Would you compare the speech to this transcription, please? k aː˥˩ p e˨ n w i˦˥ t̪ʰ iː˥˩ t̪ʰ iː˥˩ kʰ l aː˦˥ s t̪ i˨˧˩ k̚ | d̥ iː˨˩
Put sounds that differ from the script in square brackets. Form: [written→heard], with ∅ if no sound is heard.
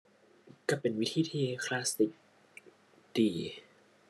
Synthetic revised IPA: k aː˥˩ p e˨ n w i˦˥ t̪ʰ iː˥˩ t̪ʰ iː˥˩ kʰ l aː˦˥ s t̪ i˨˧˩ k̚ | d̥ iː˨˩